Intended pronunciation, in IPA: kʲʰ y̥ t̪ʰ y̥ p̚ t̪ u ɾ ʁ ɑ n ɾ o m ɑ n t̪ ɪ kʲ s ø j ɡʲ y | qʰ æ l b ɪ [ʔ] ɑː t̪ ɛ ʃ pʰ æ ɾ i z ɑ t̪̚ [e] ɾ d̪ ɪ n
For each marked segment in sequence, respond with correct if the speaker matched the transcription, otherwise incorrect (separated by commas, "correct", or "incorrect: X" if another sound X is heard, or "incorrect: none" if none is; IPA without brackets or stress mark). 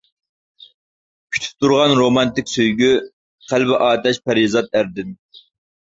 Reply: correct, incorrect: æ